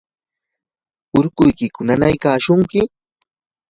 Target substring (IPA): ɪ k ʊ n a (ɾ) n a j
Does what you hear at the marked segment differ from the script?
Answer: yes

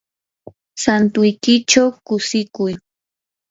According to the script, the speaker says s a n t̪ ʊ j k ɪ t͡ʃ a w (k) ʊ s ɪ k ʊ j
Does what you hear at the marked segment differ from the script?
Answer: no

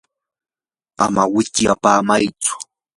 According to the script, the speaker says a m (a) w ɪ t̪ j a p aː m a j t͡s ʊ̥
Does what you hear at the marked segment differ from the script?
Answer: no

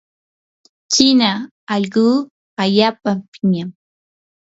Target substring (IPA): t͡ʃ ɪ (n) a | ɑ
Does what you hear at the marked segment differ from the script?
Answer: no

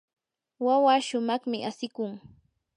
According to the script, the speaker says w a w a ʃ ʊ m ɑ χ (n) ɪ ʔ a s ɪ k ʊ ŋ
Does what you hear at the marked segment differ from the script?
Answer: yes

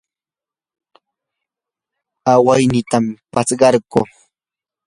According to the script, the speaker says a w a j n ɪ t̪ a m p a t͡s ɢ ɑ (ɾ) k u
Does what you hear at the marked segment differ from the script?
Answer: no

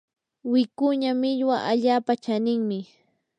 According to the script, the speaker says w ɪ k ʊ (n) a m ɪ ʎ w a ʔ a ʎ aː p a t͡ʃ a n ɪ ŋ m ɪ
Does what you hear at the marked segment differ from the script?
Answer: yes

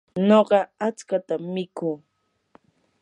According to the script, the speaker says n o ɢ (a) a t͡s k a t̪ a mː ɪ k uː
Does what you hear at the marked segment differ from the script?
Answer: yes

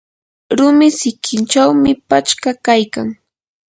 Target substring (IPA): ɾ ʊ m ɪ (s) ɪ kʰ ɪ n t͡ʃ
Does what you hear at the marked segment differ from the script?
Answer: no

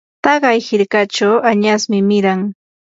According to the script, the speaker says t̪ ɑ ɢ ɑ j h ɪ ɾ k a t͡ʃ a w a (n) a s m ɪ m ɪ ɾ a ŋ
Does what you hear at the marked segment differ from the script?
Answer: yes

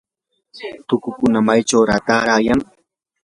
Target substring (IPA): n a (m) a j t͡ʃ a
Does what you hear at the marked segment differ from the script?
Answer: no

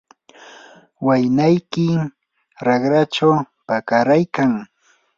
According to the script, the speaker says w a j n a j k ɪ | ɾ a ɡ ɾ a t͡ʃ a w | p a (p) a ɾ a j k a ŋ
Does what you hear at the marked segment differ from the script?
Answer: yes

